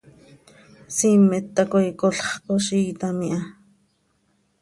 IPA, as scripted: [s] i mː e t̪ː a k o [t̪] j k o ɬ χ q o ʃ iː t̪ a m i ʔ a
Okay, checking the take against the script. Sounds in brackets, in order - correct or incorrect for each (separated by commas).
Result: correct, incorrect